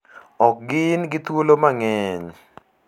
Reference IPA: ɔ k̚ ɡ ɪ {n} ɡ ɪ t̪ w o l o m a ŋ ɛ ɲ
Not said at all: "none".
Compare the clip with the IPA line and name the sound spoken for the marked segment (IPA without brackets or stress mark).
n